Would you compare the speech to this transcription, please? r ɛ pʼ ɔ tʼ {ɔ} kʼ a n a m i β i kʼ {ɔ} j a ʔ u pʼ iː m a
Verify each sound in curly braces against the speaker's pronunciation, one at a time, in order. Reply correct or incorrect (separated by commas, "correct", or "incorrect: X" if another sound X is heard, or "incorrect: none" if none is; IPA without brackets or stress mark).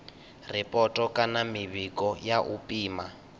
correct, correct